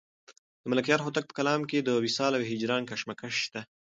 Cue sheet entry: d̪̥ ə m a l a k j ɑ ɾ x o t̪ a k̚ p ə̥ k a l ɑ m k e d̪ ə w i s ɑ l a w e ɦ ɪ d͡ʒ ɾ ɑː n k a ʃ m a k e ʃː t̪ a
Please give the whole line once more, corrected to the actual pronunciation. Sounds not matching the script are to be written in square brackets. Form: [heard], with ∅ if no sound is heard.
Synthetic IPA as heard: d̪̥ ə m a l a k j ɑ ɾ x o t̪ a k̚ p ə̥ k a l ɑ m k e d̪ ə w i s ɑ l a w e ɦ ɪ d͡ʒ ɾ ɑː n k a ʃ m a k [a] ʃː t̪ a